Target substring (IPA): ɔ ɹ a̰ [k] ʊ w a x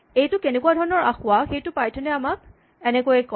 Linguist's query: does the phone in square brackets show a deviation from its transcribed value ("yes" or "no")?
yes